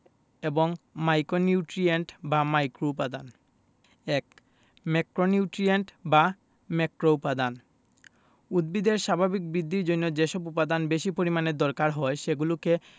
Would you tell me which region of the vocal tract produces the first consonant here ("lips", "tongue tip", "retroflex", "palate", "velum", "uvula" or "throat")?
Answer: lips